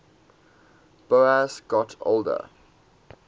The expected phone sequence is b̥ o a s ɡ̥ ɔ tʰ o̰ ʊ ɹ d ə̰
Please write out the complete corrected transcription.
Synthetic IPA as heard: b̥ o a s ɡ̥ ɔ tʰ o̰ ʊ l d ə̰